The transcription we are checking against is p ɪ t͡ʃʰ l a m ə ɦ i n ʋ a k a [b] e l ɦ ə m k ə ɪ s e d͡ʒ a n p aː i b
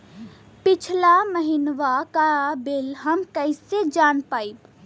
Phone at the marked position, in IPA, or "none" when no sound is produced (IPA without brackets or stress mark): b